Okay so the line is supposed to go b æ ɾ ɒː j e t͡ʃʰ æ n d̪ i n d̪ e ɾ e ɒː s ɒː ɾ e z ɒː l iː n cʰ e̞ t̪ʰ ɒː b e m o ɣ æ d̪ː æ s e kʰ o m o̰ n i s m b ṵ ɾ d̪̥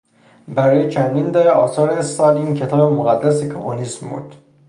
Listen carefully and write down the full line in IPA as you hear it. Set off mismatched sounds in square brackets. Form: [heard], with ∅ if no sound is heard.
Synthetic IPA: b æ ɾ ɒː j e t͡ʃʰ æ n d̪ i n d̪ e ɾ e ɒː s ɒː ɾ e [s] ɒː l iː n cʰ e̞ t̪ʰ ɒː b e m o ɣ æ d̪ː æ s e kʰ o m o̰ n i s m b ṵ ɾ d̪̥